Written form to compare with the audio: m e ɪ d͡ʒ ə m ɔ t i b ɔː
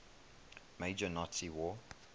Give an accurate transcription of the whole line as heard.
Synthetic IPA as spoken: m e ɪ d͡ʒ ə n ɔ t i w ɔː